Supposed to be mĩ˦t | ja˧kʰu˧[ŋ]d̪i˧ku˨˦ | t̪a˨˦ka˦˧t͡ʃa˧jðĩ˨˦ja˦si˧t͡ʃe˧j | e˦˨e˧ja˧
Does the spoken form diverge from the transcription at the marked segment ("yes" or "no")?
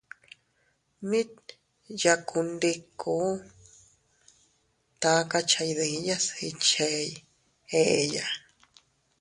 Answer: yes